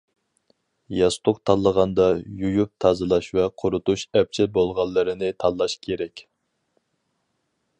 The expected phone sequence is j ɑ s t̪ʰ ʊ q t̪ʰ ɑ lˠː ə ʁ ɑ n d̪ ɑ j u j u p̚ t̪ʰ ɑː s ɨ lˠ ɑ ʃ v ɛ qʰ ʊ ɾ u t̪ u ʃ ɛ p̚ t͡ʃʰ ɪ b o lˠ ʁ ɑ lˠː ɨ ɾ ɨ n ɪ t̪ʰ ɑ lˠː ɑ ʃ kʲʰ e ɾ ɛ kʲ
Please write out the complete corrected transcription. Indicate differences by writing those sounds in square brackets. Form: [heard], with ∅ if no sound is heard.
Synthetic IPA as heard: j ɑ s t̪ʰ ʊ q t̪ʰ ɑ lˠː ə ʁ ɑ n d̪ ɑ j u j u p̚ t̪ʰ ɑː [z] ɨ lˠ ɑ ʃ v ɛ qʰ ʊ ɾ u t̪ u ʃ ɛ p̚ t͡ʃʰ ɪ b o lˠ ʁ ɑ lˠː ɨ ɾ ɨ n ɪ t̪ʰ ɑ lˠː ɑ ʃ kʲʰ e ɾ ɛ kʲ